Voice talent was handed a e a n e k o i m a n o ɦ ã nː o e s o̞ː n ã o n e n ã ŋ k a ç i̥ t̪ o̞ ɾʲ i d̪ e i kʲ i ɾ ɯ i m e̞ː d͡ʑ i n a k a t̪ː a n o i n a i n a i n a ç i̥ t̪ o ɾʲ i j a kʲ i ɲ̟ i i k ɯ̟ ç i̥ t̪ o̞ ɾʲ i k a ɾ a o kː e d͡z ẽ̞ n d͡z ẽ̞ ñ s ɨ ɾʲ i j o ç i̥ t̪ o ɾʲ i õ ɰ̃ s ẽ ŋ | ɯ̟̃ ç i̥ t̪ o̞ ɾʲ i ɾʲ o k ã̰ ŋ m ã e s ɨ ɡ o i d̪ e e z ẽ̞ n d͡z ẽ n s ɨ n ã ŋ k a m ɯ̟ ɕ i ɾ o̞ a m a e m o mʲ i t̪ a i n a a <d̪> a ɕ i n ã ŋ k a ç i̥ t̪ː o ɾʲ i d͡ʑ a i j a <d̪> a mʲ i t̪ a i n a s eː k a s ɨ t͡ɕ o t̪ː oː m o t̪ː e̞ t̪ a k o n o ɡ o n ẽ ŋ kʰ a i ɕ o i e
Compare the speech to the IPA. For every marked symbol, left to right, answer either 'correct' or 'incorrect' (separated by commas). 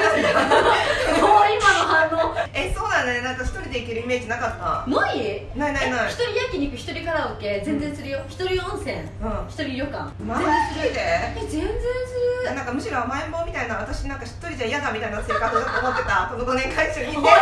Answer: incorrect, correct